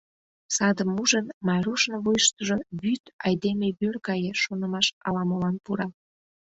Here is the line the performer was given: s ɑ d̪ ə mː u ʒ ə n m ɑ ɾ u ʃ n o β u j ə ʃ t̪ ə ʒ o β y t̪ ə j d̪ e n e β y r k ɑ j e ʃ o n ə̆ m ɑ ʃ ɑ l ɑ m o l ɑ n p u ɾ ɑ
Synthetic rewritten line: s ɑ d̪ ə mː u ʒ ə n m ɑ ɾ u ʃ n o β u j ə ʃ t̪ ə ʒ o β y t̪ ɑ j d̪ e m e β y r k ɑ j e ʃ o n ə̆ m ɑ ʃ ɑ l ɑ m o l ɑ n p u ɾ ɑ